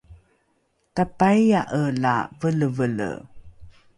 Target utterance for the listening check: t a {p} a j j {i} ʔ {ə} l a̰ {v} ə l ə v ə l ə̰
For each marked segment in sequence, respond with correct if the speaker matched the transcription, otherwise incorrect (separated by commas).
correct, incorrect, correct, correct